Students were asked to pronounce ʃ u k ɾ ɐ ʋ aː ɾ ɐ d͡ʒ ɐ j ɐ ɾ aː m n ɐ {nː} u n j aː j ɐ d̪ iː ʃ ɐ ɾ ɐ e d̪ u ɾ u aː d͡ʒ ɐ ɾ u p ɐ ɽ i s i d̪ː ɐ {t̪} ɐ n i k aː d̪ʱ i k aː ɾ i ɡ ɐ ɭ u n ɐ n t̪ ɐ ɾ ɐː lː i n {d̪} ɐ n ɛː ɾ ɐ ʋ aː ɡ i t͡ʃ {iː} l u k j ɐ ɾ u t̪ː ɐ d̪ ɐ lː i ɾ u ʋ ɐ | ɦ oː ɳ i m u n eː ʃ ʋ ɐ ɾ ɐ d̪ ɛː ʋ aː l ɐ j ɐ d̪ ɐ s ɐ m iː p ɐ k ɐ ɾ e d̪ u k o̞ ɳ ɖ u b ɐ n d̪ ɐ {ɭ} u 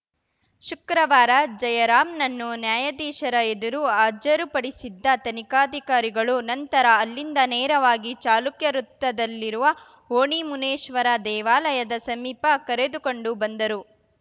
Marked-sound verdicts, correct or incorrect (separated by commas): correct, correct, correct, incorrect, incorrect